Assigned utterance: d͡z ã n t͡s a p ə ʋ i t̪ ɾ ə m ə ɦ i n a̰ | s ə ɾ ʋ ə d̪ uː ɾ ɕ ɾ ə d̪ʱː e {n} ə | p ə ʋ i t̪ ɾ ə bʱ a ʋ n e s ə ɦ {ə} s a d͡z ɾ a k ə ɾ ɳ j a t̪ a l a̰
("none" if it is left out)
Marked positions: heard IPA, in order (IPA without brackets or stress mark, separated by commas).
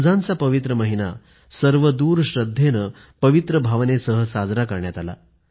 n, ə